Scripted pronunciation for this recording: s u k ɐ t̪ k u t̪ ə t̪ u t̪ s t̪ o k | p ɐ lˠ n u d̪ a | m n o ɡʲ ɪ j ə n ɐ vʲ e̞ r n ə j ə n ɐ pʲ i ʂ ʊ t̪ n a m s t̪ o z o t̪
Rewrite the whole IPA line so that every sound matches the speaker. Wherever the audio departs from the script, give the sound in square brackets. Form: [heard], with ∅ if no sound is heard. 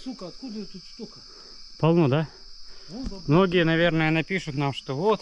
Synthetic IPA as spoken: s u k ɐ t̪ k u [d̪] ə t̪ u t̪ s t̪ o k | p ɐ lˠ n [o] d̪ a | m n o ɡʲ ɪ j ə n ɐ vʲ e̞ r n ə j ə n ɐ pʲ i ʂ ʊ t̪ n a m [ʂ] t̪ o [v] o t̪